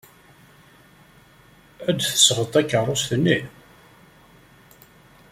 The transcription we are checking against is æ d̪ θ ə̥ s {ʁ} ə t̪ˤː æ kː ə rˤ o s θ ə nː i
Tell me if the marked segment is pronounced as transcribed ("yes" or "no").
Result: yes